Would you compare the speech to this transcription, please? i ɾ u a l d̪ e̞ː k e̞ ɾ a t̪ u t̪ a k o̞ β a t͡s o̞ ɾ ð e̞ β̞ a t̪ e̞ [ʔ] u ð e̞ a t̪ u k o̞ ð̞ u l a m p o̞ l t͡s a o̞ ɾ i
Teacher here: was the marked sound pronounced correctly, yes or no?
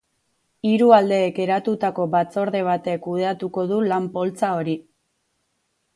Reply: no